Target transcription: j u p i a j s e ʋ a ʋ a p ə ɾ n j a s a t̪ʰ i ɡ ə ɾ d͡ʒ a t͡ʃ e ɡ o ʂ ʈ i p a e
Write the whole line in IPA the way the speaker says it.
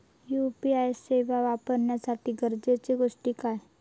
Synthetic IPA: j u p i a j s e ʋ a ʋ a p ə ɾ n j a s a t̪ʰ i ɡ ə ɾ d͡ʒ e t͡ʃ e ɡ o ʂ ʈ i k a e